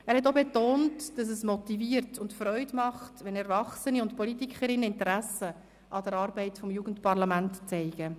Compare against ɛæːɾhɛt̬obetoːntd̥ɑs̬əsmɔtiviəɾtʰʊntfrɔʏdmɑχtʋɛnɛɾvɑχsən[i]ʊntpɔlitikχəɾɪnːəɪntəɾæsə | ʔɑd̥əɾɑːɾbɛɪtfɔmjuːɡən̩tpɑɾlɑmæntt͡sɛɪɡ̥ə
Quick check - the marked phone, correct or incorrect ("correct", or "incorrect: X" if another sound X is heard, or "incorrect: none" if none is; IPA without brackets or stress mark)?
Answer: correct